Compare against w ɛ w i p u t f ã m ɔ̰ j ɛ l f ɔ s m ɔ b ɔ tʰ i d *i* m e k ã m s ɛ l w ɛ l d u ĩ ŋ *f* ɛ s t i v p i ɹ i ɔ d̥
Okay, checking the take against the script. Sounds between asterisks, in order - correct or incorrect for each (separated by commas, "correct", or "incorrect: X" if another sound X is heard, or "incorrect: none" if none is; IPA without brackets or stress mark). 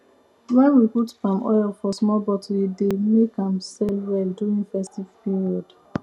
incorrect: e, correct